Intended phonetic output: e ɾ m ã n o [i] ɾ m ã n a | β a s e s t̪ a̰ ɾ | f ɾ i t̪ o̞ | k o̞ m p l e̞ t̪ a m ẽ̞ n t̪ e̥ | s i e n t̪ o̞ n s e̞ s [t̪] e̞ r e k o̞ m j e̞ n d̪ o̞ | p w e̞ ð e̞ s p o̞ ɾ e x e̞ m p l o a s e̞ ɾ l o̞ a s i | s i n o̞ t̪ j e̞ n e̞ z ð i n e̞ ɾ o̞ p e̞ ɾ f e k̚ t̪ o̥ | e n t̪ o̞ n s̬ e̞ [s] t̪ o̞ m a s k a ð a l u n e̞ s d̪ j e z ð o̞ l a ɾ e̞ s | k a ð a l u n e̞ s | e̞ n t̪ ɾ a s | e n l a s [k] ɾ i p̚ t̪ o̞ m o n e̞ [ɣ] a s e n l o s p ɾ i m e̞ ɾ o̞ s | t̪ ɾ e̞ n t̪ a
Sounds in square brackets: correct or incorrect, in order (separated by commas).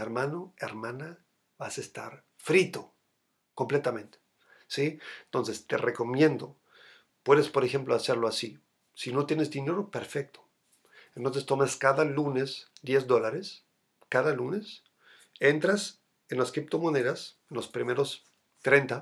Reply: incorrect, correct, correct, correct, incorrect